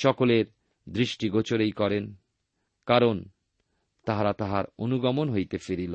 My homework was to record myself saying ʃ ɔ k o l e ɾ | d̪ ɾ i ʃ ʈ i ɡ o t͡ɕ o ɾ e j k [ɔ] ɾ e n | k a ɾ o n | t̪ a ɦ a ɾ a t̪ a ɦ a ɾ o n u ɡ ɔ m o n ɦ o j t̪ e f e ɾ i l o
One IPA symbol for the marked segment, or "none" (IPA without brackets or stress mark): ɔ